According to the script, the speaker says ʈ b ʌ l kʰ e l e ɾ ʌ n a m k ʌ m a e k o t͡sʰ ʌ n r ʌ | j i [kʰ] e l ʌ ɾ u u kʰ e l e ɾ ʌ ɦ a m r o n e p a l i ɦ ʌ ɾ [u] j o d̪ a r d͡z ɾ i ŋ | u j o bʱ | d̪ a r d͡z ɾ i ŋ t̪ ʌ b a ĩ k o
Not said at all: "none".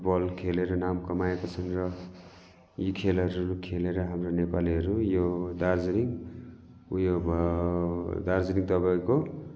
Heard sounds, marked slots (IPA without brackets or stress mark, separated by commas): kʰ, u